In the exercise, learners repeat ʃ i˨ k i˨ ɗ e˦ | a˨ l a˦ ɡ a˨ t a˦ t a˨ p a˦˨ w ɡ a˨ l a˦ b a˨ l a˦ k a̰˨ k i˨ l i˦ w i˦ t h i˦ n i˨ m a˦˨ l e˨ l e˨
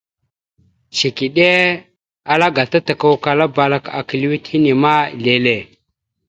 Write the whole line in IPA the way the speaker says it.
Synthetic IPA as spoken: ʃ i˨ k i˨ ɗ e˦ | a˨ l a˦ ɡ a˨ t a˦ t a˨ k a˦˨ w k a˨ l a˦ b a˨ l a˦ k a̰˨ k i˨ l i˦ w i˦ t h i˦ n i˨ m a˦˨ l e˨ l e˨